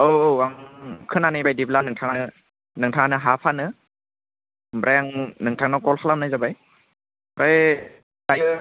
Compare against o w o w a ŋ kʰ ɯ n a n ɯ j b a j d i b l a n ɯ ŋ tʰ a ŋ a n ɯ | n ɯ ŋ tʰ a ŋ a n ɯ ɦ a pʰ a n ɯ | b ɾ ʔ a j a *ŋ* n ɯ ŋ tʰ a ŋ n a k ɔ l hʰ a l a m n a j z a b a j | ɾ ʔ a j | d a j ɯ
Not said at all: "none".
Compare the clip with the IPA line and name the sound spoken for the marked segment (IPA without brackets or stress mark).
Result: ŋ